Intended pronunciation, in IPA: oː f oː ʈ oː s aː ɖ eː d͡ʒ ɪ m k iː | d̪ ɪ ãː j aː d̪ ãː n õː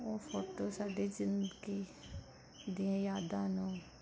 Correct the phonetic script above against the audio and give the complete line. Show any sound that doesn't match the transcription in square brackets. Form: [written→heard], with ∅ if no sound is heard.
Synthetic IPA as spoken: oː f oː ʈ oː s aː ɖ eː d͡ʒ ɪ [m→n] k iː | d̪ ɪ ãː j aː d̪ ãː n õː